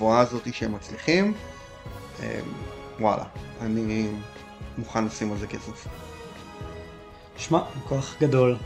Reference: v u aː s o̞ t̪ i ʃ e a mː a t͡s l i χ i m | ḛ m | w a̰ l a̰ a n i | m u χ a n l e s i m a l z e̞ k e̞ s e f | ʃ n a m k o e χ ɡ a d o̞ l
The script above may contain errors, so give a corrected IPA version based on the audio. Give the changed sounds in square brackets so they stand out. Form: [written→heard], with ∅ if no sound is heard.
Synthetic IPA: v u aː [s→z] o̞ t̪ i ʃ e [a→e] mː a t͡s l i χ i m | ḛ m | w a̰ l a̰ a n i | m u χ a n l [e→a] s i m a l z e̞ k e̞ s e f | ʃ [n→m] a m k o [e→a] χ ɡ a d o̞ l